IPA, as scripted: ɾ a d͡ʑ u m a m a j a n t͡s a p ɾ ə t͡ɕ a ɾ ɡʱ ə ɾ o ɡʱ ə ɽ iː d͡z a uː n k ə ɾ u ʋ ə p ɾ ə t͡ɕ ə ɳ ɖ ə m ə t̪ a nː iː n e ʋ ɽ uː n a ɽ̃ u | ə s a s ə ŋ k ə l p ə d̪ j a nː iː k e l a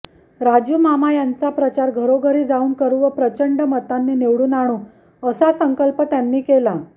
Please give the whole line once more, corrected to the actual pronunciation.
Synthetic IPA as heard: ɾ a d͡ʑ u m a m a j a n t͡s a p ɾ ə t͡ɕ a ɾ ɡʱ ə ɾ o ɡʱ ə ɾ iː d͡z a uː n k ə ɾ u ʋ ə p ɾ ə t͡ɕ ə ɳ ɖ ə m ə t̪ a nː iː n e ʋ ɽ uː n a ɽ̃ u | ə s a s ə ŋ k ə l p ə t̪ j a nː iː k e l a